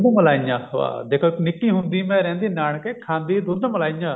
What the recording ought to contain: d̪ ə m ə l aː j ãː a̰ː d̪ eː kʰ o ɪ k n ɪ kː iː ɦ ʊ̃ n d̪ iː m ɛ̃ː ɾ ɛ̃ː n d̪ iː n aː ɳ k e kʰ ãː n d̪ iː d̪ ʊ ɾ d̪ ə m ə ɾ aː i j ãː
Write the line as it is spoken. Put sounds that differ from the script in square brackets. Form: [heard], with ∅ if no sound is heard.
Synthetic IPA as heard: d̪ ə m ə l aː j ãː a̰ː d̪ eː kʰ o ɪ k n ɪ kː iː ɦ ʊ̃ n d̪ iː m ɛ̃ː ɾ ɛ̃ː n d̪ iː n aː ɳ k e kʰ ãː n d̪ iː d̪ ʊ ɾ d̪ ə m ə [l] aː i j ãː